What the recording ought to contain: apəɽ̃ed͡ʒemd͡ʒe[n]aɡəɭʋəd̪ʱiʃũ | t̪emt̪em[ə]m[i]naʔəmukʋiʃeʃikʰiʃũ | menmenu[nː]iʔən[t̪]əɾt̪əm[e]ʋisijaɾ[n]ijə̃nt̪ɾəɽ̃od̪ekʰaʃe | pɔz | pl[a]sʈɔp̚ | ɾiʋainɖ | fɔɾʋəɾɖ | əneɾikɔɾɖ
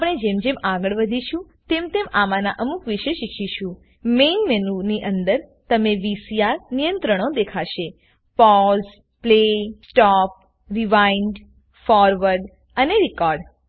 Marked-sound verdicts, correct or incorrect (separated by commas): incorrect, incorrect, incorrect, incorrect, incorrect, correct, correct, incorrect